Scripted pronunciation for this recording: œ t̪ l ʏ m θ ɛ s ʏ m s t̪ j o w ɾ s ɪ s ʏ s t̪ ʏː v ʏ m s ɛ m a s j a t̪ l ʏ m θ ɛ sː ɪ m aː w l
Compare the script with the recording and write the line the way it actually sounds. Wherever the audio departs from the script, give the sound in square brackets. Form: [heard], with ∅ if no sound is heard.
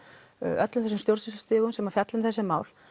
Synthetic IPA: œ t̪ l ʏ m θ ɛ s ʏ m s t̪ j o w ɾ s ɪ s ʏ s t̪ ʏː [ɣ] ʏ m s ɛ m a [f] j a t̪ l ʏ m θ ɛ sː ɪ m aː w l

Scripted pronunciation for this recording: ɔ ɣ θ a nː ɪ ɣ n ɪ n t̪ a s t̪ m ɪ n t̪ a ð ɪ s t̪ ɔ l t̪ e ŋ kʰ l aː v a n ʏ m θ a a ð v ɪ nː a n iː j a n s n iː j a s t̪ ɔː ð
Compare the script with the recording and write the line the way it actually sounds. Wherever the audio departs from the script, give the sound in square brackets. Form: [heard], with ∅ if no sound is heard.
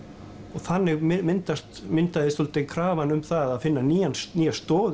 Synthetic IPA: ɔ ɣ θ a nː ɪ ɣ [m] ɪ n t̪ a s t̪ m ɪ n t̪ a ð ɪ s t̪ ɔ l t̪ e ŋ kʰ [ɾ] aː v a n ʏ m θ a a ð [f] ɪ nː a n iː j a n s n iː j a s t̪ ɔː ð

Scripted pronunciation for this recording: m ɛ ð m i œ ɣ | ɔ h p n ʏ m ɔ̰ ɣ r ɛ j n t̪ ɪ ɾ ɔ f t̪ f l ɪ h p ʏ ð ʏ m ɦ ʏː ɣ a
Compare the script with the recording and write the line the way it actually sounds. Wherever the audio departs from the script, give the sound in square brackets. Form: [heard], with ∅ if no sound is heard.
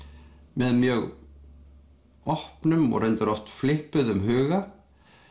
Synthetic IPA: m ɛ ð m [j] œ ɣ | ɔ h p n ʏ m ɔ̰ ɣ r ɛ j n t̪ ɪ ɾ ɔ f t̪ f l ɪ h p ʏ ð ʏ m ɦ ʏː ɣ a

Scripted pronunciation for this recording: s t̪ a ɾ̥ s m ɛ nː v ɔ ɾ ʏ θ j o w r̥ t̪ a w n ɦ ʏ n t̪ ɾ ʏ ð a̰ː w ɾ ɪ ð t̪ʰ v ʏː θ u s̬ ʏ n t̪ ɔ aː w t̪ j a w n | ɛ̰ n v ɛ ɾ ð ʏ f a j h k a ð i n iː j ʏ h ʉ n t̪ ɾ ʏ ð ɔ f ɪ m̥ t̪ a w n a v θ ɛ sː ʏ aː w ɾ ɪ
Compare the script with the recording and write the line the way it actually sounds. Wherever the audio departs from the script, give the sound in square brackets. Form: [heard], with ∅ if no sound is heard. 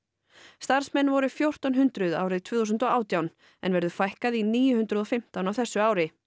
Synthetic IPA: s t̪ a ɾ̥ s m ɛ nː v ɔ ɾ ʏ [f] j o w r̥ t̪ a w n ɦ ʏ n t̪ ɾ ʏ ð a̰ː w ɾ ɪ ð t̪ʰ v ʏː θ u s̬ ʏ n t̪ ɔ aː w t̪ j a w n | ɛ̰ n v ɛ ɾ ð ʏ f a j h k a ð i n iː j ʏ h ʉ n t̪ ɾ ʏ ð ɔ f ɪ m̥ t̪ a w n a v θ ɛ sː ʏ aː w ɾ ɪ

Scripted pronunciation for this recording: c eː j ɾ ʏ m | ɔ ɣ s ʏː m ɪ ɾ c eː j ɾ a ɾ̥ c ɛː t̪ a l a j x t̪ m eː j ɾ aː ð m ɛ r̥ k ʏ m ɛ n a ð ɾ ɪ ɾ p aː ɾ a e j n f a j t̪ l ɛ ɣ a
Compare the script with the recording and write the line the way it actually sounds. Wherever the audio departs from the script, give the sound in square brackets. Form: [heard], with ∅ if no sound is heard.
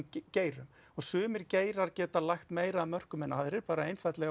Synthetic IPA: c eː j ɾ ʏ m | ɔ ɣ s ʏː m ɪ ɾ c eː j ɾ a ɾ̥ c ɛː t̪ a l a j x t̪ m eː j ɾ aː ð m [œ] r̥ k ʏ m ɛ n a ð ɾ ɪ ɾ p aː ɾ a e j n f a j t̪ l ɛ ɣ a

